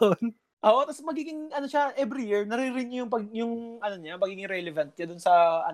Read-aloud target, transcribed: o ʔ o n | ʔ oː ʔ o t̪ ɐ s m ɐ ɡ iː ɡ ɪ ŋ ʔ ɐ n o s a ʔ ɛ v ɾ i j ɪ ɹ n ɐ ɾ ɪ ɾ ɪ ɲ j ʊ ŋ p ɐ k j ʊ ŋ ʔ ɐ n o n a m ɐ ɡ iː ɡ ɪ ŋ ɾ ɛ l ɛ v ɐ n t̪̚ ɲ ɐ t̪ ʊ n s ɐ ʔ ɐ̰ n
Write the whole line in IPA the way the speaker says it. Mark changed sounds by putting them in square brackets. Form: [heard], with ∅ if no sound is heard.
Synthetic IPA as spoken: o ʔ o n | ʔ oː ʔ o t̪ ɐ s m ɐ ɡ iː ɡ ɪ ŋ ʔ ɐ n o [ʃ] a ʔ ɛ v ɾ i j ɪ ɹ n ɐ ɾ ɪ ɾ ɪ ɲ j ʊ ŋ p ɐ [ɡ] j ʊ ŋ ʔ ɐ n o [ɲ] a m ɐ ɡ iː ɡ ɪ ŋ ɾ ɛ l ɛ v ɐ n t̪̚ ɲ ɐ [d̪] ʊ n s ɐ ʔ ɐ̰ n